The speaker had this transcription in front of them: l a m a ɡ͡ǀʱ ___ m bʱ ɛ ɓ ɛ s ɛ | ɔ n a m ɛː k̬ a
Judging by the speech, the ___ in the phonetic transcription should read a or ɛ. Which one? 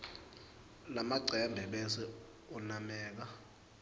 ɛ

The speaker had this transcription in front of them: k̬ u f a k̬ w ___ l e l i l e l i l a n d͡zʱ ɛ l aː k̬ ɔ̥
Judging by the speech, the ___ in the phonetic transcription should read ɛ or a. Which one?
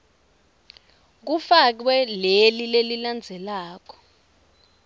ɛ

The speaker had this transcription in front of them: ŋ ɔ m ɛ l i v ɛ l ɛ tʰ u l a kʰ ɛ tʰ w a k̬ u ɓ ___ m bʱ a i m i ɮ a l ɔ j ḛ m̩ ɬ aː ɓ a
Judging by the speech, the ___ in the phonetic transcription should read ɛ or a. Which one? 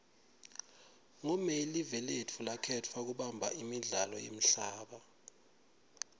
a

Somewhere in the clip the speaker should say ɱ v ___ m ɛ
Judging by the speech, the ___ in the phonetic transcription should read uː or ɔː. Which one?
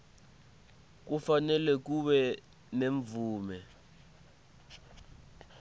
uː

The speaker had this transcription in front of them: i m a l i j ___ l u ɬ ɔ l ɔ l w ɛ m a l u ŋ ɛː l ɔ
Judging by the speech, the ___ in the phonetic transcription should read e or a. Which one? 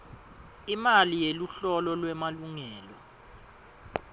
e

